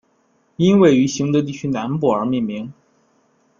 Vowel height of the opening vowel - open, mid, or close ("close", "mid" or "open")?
close